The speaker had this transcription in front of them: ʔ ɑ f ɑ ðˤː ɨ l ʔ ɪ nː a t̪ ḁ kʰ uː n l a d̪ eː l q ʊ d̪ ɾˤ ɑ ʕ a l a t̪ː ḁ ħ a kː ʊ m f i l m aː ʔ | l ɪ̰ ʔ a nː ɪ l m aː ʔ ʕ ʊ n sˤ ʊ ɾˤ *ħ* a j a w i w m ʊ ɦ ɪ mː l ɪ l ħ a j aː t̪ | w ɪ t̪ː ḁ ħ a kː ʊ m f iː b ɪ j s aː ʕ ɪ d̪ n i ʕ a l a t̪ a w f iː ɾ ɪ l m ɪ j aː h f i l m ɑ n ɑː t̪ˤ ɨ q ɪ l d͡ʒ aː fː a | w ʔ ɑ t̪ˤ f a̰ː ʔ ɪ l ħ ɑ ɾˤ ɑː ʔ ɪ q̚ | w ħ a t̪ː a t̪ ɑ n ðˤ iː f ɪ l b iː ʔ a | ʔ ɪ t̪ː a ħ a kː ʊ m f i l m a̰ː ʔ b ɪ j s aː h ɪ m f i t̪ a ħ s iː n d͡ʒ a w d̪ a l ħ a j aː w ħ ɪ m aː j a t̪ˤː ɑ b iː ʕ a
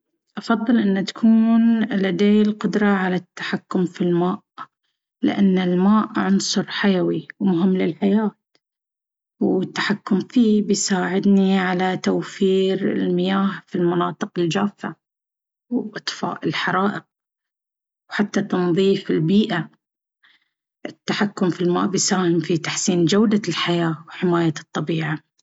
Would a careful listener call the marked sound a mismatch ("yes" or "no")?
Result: no